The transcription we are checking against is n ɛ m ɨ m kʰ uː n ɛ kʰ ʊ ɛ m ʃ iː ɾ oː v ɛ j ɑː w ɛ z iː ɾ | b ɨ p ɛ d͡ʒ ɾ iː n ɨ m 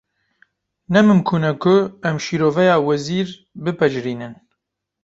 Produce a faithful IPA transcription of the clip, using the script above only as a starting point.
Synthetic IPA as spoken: n ɛ m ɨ m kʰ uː n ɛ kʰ ʊ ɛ m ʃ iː ɾ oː v ɛ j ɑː w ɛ z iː ɾ | b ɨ p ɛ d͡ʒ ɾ iː n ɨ n